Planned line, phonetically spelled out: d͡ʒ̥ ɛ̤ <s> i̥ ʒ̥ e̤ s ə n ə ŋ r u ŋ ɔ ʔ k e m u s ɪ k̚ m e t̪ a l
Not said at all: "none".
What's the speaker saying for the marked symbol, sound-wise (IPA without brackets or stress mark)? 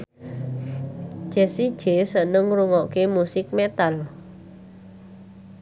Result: s